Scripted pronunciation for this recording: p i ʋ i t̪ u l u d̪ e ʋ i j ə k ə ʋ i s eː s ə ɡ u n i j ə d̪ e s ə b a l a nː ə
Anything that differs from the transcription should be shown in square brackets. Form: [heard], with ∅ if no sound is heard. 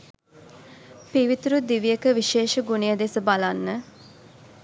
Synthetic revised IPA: p i ʋ i t̪ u [ɾ] u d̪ [i] ʋ i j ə k ə ʋ i [ʃ] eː [ʃ] ə ɡ u n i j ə d̪ e s ə b a l a nː ə